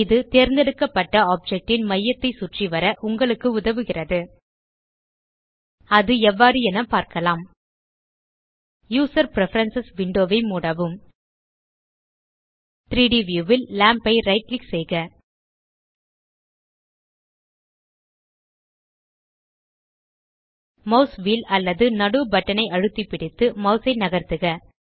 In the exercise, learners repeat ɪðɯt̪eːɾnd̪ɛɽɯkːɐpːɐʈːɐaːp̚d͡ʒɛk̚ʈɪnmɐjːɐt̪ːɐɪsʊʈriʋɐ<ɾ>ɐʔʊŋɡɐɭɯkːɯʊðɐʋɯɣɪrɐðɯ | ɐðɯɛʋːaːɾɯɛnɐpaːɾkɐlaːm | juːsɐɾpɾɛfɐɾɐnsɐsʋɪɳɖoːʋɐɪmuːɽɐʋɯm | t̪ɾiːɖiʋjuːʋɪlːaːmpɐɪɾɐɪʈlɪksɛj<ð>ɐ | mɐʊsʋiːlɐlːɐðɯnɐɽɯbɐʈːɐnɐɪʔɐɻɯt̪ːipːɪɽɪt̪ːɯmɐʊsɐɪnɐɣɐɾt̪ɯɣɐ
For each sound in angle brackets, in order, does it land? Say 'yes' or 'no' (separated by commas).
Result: yes, no